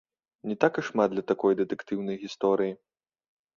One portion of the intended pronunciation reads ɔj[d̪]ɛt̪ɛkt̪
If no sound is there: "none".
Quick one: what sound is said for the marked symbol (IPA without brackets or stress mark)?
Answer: d̪